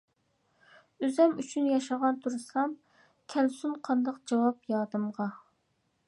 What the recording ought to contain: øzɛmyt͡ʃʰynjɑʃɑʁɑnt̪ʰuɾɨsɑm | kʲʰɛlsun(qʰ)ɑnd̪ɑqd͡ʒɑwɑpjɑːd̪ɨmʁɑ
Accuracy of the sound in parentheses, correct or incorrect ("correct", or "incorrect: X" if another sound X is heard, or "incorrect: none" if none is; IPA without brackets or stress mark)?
correct